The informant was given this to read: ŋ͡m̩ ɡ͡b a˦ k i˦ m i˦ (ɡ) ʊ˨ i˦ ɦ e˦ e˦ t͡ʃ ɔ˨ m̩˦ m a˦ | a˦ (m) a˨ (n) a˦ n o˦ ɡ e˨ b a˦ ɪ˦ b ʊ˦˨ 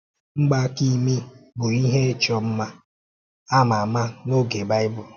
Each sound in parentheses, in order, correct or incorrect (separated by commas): incorrect, correct, incorrect